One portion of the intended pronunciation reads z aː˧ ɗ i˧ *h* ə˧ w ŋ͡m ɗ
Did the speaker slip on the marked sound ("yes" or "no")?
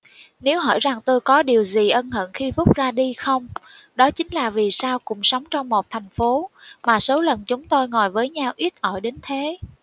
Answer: yes